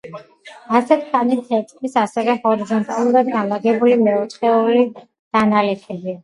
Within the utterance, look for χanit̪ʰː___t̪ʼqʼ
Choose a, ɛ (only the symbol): ɛ